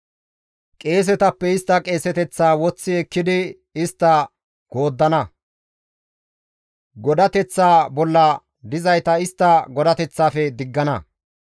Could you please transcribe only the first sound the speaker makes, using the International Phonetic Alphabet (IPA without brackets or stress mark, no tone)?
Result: kʼ